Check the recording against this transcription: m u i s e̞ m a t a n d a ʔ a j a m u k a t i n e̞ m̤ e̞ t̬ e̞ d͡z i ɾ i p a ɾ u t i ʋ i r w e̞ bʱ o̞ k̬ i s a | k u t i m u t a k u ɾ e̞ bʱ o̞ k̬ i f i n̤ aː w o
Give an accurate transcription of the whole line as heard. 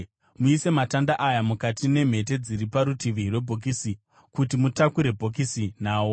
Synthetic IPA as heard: m u i s e̞ m a t a n d a ʔ a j a m u k a t i n e̞ m̤ e̞ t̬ e̞ d͡z i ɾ i p a ɾ u t i ʋ i r w e̞ bʱ o̞ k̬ i s i | k u t i m u t a k u ɾ e̞ bʱ o̞ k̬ i s i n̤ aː w o